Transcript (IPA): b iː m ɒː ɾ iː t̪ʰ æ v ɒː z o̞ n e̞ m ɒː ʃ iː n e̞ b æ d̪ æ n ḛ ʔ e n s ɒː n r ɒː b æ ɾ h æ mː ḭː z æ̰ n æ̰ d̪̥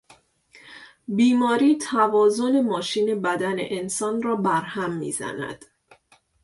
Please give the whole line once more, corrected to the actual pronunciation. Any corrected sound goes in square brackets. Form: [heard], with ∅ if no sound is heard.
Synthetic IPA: b iː m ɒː ɾ iː t̪ʰ æ v ɒː z o̞ n e̞ m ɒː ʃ iː n e̞ b æ d̪ æ n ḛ ʔ e n s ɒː n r ɒː b æ ɾ h æ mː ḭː z æ̰ n æ̰ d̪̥